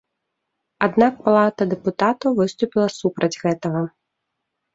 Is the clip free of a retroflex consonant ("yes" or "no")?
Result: yes